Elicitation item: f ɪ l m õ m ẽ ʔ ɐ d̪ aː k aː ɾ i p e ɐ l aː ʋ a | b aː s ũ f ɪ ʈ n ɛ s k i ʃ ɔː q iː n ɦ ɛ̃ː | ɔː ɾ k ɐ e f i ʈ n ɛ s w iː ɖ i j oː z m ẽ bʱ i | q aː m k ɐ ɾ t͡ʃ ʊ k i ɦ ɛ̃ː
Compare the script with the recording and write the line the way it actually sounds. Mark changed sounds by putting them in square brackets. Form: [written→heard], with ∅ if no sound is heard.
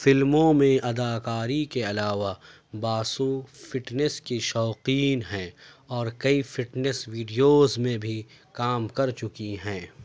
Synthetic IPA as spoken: f ɪ l m õ m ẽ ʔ ɐ d̪ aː k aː ɾ i [p→k] e ɐ l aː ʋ a | b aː s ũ f ɪ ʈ n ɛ s k i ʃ ɔː q iː n ɦ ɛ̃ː | ɔː ɾ k ɐ [e→i] f [i→ɪ] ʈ n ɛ s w iː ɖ i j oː z m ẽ bʱ i | [q→k] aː m k ɐ ɾ t͡ʃ ʊ k i ɦ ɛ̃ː